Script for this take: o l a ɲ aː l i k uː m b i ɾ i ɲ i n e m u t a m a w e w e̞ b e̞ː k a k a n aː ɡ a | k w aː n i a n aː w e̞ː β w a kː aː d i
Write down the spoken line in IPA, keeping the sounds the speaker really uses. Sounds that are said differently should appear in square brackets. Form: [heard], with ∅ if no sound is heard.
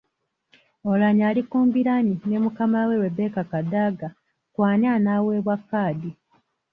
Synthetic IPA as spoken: o l a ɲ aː l i k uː m b i ɾ [a] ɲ i n e m u [k] a m a w e w e̞ b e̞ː k a k a [d] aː ɡ a | k w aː n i a n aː w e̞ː β w a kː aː d i